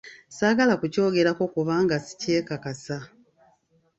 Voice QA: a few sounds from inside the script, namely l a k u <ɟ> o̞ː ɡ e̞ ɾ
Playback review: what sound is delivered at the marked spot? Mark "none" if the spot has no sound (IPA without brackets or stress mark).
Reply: c